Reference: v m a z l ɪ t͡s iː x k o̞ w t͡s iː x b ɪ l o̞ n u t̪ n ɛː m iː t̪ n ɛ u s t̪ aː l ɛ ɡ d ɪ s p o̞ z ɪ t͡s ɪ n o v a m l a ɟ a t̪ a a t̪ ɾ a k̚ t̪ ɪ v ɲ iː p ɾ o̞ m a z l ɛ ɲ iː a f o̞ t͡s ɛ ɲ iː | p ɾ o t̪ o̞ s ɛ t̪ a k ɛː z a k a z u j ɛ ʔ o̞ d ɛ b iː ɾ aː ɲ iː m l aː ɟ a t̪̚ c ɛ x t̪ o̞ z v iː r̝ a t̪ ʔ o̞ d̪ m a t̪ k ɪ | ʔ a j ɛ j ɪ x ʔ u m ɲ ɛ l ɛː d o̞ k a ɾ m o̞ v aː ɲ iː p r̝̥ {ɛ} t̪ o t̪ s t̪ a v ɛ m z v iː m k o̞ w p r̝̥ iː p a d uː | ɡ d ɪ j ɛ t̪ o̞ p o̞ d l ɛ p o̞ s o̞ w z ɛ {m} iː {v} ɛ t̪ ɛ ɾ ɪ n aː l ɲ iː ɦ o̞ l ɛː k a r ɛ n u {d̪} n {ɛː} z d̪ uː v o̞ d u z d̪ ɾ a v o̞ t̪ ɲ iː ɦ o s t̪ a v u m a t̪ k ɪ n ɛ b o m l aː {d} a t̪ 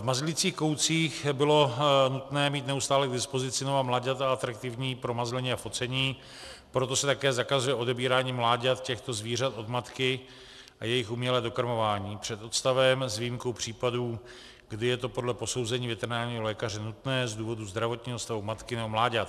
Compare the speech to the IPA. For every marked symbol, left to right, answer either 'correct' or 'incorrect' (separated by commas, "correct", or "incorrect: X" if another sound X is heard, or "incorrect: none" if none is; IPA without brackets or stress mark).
correct, incorrect: ɲ, correct, incorrect: t̪, correct, incorrect: ɟ